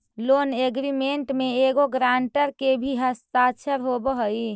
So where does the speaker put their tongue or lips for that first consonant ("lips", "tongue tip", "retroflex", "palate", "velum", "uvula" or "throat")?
tongue tip